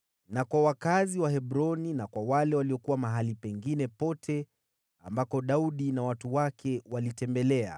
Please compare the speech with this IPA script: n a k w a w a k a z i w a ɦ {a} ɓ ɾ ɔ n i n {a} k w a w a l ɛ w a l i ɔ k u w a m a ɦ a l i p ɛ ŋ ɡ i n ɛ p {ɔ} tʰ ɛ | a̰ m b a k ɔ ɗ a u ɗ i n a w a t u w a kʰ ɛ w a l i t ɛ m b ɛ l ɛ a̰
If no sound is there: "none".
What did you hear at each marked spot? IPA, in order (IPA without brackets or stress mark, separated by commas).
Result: ɛ, a, ɔ